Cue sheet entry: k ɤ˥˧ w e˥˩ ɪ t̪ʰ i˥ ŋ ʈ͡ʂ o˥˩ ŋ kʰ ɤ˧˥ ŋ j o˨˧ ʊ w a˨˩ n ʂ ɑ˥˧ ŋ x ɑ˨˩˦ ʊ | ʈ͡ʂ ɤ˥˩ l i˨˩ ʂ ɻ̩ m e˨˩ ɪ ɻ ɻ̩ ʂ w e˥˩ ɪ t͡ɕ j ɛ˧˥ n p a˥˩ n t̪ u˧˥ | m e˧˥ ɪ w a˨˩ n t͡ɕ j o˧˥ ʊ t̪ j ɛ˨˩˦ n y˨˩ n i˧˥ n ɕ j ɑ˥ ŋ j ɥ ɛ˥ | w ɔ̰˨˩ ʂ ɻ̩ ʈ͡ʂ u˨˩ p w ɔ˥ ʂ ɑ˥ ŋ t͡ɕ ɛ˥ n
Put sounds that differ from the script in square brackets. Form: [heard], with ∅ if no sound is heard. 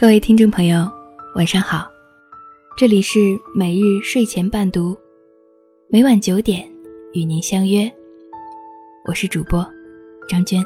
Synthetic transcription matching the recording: k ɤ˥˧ w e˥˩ ɪ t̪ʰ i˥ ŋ ʈ͡ʂ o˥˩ ŋ [pʰ] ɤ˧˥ ŋ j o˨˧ ʊ w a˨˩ n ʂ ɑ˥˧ ŋ x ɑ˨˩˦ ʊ | ʈ͡ʂ ɤ˥˩ l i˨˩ ʂ ɻ̩ m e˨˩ ɪ ɻ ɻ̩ ʂ w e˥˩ ɪ [t͡ɕʰ] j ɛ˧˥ n p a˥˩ n t̪ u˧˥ | m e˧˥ ɪ w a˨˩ n t͡ɕ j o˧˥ ʊ t̪ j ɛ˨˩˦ n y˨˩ n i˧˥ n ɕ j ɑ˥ ŋ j ɥ ɛ˥ | w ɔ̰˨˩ ʂ ɻ̩ ʈ͡ʂ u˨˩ p w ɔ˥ [ʈ͡ʂ] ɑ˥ ŋ t͡ɕ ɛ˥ n